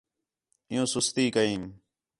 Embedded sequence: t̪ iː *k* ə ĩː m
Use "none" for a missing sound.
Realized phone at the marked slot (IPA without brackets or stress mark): k